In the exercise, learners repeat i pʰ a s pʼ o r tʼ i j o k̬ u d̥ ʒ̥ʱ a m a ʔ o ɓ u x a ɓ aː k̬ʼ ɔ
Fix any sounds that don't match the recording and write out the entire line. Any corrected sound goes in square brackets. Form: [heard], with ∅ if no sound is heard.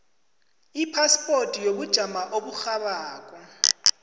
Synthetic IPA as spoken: i pʰ a s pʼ o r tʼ i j o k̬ u d̥ ʒ̥ʱ a m a ʔ o ɓ u x a ɓ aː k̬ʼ ɔ